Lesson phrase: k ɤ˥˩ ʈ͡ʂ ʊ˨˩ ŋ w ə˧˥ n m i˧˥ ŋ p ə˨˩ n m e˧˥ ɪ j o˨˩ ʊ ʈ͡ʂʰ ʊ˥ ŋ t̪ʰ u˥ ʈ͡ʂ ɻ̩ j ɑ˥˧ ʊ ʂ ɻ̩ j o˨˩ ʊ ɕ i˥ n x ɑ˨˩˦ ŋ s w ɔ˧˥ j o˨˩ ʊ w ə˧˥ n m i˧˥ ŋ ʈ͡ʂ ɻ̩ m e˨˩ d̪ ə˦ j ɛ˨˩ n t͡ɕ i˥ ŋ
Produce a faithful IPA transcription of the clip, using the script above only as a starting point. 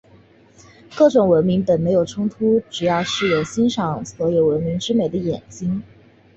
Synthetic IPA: k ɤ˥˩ ʈ͡ʂ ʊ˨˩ ŋ w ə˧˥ n m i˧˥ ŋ p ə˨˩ n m e˧˥ ɪ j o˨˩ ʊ ʈ͡ʂʰ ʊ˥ ŋ t̪ʰ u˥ ʈ͡ʂ ɻ̩ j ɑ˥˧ ʊ ʂ ɻ̩ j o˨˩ ʊ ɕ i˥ n ʂ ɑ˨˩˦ ŋ s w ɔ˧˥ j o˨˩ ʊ w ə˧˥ n m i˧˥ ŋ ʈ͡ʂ ɻ̩ m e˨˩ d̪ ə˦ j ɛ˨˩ n t͡ɕ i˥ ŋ